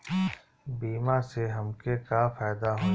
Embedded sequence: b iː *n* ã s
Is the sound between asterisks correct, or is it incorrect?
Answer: incorrect